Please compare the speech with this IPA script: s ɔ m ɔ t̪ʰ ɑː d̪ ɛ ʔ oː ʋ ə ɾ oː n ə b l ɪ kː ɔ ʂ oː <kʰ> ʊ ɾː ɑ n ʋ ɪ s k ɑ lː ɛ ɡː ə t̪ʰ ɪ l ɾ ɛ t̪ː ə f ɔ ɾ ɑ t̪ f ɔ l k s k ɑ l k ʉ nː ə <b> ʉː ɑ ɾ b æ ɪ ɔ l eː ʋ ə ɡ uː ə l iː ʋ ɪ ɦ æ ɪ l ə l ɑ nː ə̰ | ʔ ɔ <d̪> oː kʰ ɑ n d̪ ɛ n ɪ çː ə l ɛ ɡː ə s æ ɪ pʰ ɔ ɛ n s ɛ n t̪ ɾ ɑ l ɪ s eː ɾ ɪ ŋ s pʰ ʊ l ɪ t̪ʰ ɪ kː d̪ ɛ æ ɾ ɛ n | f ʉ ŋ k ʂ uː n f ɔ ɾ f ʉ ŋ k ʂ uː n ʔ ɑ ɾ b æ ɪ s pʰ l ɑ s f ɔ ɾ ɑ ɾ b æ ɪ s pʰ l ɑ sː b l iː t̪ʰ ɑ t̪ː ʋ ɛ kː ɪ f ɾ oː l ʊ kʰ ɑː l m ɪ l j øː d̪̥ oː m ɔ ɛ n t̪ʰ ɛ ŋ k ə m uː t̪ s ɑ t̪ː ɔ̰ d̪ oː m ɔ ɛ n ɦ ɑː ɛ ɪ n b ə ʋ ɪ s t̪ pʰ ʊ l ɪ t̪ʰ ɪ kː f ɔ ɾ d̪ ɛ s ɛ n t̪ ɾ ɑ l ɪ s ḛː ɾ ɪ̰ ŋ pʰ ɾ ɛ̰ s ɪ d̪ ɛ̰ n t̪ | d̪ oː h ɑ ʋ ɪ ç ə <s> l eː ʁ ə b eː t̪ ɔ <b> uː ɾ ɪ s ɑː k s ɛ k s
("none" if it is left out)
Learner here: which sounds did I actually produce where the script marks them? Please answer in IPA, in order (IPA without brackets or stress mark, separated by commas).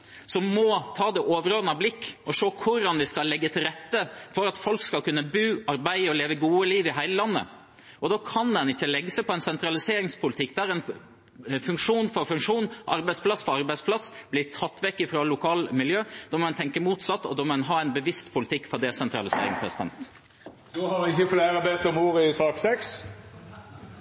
kʰ, b, d̪, f, m